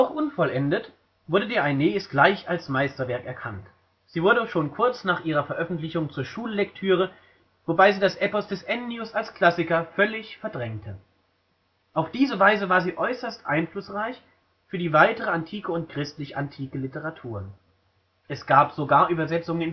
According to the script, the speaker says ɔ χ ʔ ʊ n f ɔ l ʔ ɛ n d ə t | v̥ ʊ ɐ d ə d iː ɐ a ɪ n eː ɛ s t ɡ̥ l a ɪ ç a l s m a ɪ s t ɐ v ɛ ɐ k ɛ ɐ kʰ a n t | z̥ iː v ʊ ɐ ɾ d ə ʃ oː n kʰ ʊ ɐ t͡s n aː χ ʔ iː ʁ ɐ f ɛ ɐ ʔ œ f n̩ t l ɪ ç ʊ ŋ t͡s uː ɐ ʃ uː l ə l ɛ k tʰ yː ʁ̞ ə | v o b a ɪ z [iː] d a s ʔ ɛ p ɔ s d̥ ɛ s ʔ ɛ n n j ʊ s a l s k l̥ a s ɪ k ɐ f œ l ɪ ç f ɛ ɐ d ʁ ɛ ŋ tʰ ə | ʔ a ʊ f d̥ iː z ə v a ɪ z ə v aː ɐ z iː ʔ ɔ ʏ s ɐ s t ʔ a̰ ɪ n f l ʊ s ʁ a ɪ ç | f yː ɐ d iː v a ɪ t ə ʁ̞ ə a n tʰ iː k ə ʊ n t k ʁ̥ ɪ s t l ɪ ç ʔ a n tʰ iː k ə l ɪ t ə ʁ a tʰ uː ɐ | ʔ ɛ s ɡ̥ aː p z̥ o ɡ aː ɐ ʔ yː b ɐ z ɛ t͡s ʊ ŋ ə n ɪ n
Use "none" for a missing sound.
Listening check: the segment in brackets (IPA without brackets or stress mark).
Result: iː